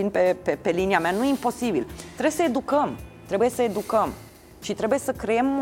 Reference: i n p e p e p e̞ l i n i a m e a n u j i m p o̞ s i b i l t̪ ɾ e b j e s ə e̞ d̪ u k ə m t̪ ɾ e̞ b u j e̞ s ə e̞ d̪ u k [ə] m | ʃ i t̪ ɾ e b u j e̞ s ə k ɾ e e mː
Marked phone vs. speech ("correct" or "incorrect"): correct